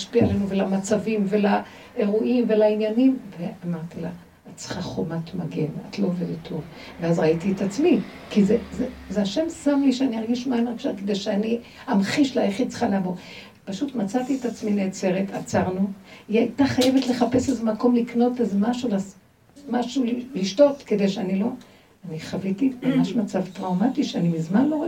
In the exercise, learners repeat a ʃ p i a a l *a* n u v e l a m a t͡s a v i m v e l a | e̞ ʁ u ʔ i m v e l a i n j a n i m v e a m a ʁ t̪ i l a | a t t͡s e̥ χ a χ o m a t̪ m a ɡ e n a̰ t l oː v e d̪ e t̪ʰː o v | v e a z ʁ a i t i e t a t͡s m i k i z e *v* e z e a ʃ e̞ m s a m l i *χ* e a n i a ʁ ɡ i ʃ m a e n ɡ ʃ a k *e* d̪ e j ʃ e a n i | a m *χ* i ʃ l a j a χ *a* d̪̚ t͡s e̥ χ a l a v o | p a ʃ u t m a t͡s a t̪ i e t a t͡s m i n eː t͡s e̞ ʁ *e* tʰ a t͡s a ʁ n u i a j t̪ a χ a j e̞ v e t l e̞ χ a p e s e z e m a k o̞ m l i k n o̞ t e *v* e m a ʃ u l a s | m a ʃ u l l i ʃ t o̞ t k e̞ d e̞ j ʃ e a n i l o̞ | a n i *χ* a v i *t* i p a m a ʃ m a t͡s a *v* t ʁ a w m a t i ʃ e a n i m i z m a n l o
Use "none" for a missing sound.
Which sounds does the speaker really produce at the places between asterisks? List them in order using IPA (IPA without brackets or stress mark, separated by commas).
e, z, ʃ, e, χ, i, e, z, χ, t, v